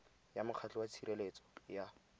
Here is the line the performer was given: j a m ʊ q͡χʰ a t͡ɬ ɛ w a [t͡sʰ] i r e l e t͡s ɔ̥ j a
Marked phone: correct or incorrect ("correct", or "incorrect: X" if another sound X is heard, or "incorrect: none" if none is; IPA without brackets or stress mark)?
correct